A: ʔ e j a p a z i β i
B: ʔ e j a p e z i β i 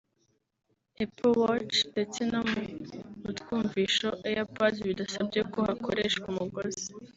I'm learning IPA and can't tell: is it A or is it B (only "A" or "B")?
A